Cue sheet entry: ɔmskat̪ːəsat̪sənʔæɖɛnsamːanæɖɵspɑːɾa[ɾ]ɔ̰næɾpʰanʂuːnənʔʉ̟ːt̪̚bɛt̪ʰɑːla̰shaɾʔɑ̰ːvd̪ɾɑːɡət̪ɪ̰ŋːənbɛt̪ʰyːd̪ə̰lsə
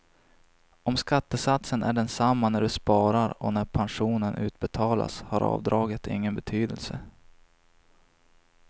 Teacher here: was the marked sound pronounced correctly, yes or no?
yes